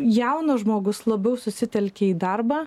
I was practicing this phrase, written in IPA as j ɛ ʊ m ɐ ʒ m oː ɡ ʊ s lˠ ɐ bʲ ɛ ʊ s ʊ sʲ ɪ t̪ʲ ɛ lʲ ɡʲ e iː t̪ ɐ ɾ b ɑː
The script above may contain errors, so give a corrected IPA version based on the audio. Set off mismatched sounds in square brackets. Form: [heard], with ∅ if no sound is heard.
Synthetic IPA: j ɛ ʊ [n] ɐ ʒ m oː ɡ ʊ s lˠ ɐ bʲ ɛ ʊ s ʊ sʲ ɪ t̪ʲ ɛ lʲ [kʲ] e iː [d̪] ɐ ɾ b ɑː